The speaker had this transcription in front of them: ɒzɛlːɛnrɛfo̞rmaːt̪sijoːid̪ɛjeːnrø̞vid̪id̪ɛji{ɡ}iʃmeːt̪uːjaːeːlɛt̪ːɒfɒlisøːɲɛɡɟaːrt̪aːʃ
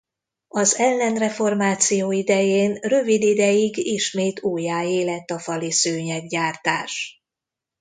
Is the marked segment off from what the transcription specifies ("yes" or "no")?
no